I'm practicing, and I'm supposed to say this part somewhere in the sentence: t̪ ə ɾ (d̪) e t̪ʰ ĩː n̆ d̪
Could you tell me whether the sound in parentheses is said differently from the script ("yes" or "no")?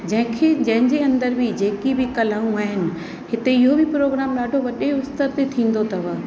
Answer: yes